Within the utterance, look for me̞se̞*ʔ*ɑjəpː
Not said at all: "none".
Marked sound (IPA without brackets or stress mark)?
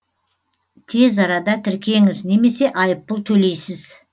ʔ